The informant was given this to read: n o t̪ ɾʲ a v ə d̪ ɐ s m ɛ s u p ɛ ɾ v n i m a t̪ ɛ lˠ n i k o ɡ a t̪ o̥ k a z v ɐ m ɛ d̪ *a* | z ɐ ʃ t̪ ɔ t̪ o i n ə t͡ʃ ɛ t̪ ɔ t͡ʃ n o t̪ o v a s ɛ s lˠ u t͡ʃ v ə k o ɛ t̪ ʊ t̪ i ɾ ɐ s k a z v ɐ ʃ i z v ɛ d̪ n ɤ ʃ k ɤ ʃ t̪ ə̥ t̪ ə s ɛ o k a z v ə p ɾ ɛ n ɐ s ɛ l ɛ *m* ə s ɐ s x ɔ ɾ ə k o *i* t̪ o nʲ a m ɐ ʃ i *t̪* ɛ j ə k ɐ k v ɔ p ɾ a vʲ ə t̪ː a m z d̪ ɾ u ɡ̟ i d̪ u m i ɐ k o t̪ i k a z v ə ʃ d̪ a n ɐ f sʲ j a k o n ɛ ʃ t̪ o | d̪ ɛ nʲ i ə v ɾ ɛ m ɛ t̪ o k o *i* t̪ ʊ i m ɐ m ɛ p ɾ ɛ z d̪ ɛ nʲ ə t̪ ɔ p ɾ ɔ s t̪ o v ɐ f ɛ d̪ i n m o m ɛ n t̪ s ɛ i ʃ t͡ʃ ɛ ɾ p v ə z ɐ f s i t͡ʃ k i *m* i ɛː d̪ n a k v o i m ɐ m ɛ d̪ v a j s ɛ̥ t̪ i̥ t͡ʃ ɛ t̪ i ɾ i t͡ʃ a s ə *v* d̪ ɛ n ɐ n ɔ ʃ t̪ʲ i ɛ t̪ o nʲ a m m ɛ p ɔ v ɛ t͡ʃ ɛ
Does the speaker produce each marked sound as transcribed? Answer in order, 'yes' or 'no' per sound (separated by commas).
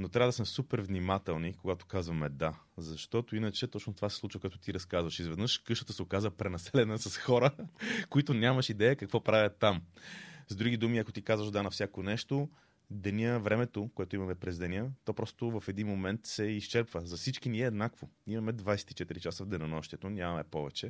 yes, no, yes, no, no, no, yes